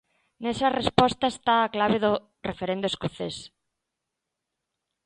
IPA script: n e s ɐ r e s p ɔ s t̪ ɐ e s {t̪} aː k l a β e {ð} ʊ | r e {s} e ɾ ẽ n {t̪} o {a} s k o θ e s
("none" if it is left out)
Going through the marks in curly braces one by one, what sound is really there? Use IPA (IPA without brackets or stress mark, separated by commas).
t̪, ð, f, d̪, e